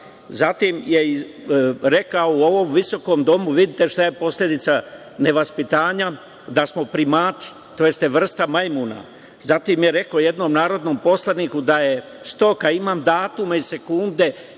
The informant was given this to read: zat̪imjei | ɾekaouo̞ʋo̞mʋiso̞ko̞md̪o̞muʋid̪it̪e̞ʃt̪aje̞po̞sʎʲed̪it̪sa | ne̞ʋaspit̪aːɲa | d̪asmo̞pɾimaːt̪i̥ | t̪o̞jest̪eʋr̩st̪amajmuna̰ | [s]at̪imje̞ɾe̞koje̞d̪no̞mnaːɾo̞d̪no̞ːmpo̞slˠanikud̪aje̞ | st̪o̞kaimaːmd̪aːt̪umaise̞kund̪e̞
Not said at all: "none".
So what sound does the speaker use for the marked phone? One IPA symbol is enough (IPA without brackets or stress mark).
z